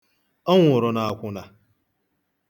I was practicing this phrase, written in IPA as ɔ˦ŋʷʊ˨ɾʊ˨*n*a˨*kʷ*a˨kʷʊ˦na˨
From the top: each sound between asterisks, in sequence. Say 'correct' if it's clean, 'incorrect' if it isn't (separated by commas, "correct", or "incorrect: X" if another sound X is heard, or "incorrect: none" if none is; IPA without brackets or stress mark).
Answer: correct, incorrect: none